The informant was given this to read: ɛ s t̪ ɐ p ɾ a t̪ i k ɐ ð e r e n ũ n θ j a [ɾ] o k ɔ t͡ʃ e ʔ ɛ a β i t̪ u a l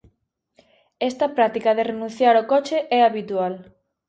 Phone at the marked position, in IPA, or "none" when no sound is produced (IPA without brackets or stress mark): ɾ